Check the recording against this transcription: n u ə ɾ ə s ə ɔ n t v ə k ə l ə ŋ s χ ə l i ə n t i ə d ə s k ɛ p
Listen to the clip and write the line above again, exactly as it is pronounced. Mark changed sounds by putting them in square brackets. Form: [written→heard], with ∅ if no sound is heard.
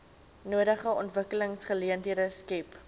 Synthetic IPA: n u ə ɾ ə [s→χ] ə ɔ n t v ə k ə l ə ŋ s χ ə l i ə n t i ə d ə s k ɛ p